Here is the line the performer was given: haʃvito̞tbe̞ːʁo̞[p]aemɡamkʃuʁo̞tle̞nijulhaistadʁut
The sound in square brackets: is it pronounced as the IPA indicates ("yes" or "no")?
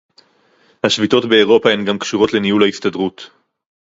yes